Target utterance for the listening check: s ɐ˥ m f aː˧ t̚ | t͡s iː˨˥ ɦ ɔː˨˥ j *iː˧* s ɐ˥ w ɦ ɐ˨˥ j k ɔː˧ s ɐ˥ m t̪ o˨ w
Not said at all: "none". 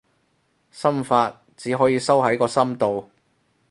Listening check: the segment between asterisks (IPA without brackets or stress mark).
iː˧